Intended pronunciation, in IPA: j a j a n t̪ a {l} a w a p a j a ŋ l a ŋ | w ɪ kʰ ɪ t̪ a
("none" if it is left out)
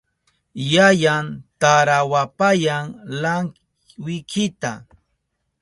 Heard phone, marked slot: ɾ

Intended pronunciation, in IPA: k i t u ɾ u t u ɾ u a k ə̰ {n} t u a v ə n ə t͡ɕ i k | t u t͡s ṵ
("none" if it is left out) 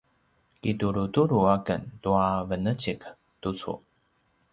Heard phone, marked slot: n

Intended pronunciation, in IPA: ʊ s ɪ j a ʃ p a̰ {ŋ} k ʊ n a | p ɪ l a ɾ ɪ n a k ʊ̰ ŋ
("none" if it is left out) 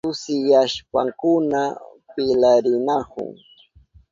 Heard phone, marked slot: ŋ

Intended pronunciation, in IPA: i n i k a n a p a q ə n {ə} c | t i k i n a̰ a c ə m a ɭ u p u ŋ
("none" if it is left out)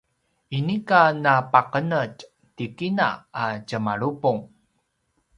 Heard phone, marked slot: ə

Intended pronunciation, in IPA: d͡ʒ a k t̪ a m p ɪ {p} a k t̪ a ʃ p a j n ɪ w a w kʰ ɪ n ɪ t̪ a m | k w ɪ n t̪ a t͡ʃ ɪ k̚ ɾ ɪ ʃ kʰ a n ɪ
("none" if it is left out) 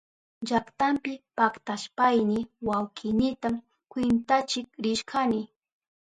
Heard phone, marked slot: p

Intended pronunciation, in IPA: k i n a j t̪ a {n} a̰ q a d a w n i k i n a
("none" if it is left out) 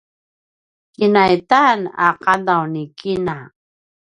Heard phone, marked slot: n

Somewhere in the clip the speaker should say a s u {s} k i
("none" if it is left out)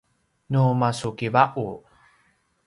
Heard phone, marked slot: none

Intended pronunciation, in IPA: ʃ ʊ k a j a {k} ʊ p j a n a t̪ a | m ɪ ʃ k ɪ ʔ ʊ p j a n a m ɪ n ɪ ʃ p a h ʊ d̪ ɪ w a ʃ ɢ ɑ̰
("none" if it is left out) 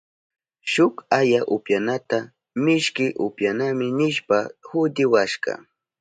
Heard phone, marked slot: ʔ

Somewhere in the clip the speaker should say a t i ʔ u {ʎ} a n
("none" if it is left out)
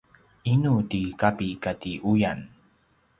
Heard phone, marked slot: j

